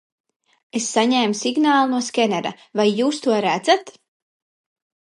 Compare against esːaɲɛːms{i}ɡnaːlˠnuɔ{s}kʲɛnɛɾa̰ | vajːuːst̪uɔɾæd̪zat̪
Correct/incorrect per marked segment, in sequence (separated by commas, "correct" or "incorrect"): correct, correct